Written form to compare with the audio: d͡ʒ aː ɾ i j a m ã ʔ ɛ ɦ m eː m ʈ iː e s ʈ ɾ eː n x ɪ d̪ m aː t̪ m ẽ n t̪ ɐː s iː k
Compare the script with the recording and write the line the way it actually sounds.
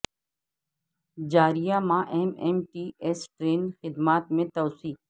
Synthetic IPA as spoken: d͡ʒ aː ɾ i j a m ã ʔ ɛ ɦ m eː m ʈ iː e s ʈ ɾ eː n x ɪ d̪ m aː t̪ m ẽ t̪ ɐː s iː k